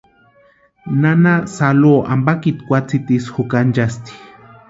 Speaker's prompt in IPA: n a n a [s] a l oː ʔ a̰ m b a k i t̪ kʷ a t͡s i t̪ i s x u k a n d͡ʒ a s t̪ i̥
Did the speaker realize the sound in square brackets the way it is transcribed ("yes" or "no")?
yes